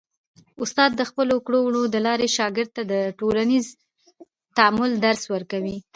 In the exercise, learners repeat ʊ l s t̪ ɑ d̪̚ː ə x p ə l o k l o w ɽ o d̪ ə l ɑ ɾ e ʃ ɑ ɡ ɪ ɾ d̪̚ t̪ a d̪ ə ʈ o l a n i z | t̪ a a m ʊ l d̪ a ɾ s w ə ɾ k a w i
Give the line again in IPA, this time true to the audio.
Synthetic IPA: ʊ s t̪ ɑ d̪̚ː ə x p ə l o k ɽ o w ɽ o d̪ ə l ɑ ɾ e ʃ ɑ ɡ ɪ ɾ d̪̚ t̪ a d̪ ə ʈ o l a n i z | t̪ a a m ʊ l d̪ a ɾ s w ə ɾ k a w i